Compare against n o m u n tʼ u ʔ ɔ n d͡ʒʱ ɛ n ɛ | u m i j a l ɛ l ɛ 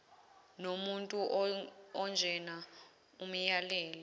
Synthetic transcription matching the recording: n o m u n tʼ u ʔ ɔ n d͡ʒʱ ɛ n a | u m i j a l ɛː l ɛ